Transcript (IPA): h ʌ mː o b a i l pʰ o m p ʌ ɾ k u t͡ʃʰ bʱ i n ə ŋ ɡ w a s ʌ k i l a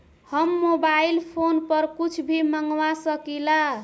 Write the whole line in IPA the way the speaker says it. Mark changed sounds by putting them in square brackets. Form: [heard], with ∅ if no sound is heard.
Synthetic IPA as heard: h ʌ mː o b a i l pʰ o [n] p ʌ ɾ k u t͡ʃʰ bʱ i [m] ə ŋ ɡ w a s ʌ k i l a